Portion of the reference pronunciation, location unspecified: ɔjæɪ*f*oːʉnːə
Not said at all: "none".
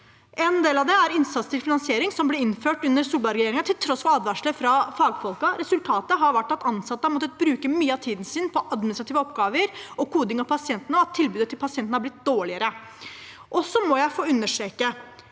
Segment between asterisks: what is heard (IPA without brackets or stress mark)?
f